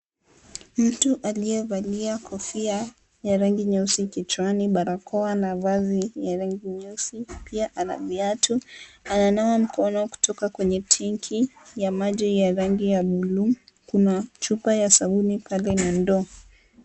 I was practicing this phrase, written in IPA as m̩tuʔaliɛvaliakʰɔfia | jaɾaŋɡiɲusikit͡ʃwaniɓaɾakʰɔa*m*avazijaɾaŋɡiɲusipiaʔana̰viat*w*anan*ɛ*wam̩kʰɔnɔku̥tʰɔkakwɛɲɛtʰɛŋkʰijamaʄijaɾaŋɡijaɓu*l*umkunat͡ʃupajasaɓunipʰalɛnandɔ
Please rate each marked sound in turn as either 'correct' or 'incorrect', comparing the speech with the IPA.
incorrect, incorrect, incorrect, correct

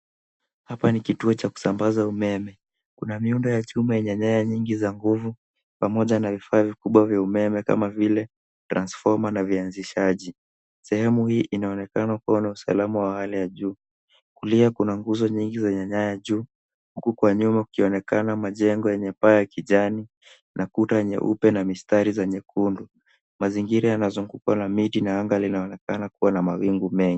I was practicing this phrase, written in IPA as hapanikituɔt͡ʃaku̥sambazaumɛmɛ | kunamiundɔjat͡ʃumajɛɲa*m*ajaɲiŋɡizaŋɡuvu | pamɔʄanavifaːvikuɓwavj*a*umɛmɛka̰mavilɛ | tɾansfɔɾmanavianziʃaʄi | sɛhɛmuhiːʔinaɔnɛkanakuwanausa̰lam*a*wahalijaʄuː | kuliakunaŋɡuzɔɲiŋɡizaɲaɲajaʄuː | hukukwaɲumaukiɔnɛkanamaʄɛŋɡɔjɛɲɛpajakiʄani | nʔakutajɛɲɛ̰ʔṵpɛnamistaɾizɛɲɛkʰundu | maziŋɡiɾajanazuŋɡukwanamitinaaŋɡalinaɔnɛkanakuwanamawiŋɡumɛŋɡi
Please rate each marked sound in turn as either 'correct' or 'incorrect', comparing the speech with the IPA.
incorrect, correct, correct

